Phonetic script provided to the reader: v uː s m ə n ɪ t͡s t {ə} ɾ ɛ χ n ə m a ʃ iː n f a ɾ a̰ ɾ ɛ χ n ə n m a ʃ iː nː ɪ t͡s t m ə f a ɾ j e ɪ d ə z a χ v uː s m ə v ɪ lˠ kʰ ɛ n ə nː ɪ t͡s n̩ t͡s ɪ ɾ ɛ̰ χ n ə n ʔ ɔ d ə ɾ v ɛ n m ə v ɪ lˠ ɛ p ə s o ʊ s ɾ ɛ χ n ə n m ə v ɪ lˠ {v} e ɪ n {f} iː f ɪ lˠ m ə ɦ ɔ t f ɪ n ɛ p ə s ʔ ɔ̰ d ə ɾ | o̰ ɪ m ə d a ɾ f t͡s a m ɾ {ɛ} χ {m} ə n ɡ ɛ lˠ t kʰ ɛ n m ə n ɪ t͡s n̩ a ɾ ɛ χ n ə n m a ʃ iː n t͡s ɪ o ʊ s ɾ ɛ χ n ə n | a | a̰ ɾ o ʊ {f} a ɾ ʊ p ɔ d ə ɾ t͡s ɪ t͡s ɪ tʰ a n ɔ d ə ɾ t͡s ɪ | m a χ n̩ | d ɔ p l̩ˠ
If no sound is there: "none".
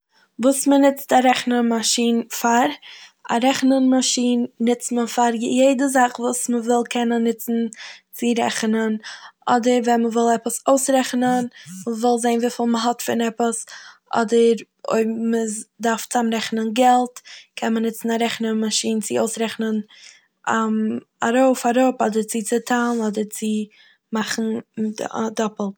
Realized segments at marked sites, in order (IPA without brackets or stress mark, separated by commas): a, z, v, ɛ, n, f